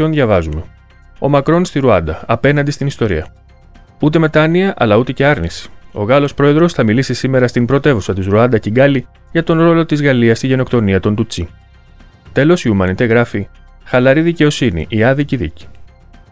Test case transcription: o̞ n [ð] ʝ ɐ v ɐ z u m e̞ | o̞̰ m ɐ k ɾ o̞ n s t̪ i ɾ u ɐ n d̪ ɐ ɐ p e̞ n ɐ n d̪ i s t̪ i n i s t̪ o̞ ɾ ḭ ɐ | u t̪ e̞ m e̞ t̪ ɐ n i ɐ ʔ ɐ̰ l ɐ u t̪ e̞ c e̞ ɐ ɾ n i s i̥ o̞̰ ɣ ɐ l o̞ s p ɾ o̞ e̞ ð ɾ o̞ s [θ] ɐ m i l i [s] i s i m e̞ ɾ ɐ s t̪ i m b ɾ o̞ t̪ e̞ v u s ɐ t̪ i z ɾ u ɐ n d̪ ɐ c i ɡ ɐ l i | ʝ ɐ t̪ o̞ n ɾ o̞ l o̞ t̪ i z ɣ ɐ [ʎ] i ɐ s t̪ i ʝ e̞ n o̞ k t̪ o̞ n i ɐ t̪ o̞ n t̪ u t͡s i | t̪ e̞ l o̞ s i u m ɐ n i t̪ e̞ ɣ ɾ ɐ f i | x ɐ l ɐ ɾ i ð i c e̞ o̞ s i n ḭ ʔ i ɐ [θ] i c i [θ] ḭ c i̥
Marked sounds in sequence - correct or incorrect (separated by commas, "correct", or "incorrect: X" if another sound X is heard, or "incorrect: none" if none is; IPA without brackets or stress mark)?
correct, correct, correct, incorrect: l, incorrect: ð, incorrect: ð